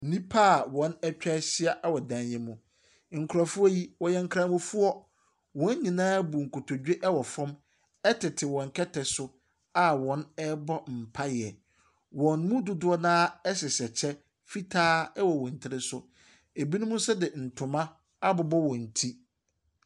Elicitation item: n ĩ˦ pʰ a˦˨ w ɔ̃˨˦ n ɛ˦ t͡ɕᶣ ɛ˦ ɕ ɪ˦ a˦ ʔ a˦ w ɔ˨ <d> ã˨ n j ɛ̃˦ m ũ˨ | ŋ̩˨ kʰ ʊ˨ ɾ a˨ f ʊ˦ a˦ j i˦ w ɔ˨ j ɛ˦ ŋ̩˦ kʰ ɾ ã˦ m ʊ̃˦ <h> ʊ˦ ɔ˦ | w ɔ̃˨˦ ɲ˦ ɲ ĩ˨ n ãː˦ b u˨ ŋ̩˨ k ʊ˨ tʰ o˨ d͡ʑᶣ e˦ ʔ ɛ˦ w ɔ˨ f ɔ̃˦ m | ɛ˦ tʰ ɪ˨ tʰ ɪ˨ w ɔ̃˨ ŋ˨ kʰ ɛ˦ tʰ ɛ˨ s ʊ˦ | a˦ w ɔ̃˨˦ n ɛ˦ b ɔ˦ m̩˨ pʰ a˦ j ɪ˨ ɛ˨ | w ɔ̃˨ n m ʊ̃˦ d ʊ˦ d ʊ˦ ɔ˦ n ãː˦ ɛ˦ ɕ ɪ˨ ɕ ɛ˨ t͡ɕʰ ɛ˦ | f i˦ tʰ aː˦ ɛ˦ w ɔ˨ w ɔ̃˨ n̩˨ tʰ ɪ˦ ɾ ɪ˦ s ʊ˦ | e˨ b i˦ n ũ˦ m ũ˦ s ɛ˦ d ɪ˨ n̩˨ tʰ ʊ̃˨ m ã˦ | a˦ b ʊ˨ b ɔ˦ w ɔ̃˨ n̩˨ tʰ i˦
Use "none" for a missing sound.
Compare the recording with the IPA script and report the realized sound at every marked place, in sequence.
d, f

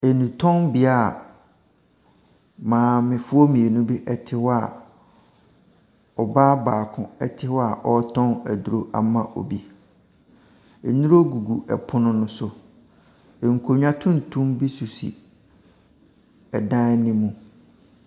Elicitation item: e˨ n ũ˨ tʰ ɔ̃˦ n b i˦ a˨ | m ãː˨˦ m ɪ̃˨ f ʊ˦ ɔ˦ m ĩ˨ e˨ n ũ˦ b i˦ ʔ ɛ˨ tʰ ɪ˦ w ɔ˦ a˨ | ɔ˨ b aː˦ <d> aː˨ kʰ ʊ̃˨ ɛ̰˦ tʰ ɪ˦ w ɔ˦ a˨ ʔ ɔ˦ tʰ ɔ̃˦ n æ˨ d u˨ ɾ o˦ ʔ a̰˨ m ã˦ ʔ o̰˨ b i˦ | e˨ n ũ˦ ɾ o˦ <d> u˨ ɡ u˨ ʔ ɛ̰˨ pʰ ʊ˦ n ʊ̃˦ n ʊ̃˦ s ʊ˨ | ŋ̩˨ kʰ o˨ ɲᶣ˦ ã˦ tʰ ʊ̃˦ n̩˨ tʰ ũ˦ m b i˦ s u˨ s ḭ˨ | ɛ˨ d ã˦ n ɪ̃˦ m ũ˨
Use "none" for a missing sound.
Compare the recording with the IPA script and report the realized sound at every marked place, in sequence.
b, ɡ

